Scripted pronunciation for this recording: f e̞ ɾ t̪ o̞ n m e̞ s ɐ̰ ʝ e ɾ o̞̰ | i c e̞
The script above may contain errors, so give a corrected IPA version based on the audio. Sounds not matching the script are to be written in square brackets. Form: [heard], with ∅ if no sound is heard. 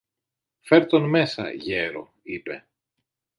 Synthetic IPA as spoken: f e̞ ɾ t̪ o̞ n m e̞ s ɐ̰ ʝ e ɾ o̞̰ | i [p] e̞